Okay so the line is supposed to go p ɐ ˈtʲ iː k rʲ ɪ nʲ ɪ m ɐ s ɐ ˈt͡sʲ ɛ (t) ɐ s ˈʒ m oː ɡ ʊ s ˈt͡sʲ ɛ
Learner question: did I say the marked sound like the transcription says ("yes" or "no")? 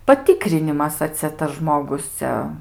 yes